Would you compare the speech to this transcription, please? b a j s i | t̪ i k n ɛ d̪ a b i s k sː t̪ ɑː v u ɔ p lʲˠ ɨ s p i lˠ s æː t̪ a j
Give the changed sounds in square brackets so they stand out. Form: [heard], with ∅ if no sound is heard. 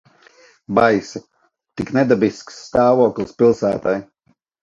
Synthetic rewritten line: b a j s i | t̪ i k n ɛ d̪ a b i s k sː t̪ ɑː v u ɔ [k] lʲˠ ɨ s p i lˠ s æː t̪ a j